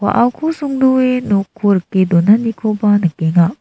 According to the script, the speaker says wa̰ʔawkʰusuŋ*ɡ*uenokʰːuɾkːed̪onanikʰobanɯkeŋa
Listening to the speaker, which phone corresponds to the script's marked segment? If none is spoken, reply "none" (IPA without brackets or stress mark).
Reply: d